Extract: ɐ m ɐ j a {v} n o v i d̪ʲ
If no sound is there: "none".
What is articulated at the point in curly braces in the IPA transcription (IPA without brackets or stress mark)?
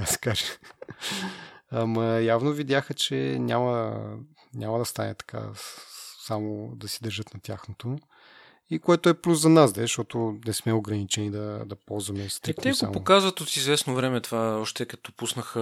v